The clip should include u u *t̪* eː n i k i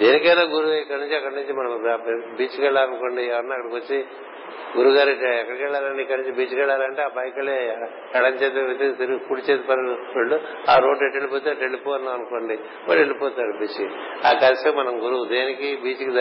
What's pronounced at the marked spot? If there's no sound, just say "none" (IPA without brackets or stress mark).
d̪